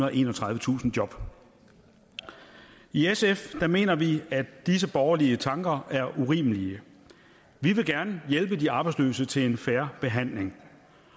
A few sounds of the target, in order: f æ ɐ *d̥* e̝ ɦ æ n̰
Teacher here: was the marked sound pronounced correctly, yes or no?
no